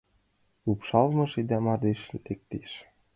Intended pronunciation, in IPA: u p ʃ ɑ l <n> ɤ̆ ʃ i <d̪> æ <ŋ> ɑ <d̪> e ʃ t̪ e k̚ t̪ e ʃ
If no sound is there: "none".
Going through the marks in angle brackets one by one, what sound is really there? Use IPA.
m, d̪, m, d̪

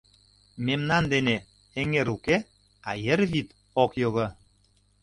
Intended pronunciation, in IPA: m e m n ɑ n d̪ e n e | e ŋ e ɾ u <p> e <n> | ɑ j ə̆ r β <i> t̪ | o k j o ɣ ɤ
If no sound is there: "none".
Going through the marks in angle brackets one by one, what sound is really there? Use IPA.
k, none, i

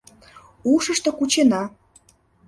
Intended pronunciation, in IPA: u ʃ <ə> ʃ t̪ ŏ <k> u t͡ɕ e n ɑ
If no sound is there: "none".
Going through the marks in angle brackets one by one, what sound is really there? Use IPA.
ə, k

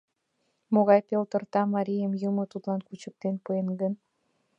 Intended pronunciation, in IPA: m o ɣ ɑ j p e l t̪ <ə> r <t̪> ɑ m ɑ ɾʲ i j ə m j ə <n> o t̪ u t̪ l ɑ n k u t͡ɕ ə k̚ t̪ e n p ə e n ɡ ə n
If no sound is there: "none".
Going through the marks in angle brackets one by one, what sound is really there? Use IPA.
ə, t̪, m

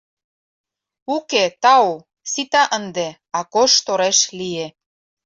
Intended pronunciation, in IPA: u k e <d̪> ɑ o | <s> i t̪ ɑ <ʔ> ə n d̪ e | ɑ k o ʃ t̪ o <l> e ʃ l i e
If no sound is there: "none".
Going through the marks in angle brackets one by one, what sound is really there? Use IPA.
t̪, s, ʔ, ɾ

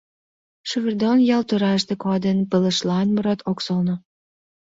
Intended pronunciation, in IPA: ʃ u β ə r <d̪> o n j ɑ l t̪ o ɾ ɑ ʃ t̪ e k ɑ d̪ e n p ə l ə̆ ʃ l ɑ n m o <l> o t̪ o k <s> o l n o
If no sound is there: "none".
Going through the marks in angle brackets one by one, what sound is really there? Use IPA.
d̪, ɾ, s

